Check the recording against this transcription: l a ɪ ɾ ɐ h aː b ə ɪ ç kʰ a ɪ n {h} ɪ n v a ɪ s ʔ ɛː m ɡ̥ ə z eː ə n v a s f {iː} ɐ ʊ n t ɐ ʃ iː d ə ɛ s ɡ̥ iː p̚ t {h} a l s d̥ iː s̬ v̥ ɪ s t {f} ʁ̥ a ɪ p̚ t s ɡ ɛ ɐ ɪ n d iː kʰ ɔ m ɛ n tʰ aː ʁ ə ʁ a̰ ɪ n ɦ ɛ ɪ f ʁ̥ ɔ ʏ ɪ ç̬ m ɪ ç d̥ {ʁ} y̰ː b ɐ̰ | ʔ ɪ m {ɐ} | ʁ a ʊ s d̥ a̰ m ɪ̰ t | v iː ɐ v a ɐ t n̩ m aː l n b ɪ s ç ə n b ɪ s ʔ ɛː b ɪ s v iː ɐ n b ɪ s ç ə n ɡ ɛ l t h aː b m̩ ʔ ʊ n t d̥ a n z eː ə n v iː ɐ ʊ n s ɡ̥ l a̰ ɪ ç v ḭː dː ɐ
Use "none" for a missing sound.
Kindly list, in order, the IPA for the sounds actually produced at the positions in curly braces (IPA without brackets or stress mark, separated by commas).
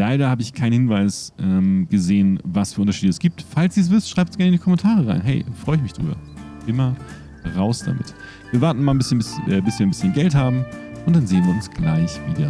h, yː, f, ʃ, ʁ, ɐ